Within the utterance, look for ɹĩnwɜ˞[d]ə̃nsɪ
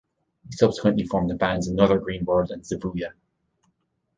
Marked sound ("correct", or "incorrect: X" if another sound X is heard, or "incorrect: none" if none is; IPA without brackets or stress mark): correct